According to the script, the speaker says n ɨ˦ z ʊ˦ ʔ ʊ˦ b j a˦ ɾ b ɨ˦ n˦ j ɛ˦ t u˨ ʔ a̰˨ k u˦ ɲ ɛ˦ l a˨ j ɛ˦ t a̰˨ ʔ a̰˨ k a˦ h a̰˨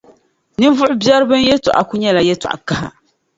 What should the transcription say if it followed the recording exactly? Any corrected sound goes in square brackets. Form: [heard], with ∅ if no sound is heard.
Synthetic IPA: n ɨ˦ [v] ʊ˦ ʔ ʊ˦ b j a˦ ɾ b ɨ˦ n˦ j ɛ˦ t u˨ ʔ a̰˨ k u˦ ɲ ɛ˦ l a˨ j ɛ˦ t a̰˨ ʔ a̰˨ k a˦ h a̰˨